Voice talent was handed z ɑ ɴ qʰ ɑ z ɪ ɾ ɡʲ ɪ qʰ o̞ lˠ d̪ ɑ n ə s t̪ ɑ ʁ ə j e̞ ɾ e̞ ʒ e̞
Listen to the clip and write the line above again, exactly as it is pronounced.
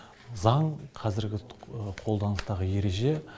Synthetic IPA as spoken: z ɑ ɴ qʰ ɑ z ɪ ɾ ɡʲ ɪ qʰ o̞ lˠ d̪ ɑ n ə s t̪ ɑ ʁ ə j e̞ ɾ e̞ ʒ e̞